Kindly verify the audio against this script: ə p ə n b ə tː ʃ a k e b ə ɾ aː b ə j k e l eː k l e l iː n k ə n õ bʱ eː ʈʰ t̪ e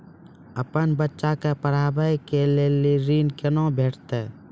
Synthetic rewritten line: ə p ə n b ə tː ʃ a k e p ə ɾ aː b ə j k e l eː l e ɾ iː n k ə n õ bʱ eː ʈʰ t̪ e